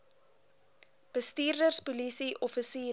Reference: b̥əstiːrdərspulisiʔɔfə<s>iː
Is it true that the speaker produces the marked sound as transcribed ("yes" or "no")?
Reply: yes